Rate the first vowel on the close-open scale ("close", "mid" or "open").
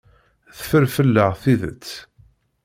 mid